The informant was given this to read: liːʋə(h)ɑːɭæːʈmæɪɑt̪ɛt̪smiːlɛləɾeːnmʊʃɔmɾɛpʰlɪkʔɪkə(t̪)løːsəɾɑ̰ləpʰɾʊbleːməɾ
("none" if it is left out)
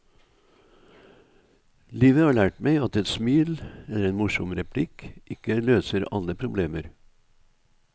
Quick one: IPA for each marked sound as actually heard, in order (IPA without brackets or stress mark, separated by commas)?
h, none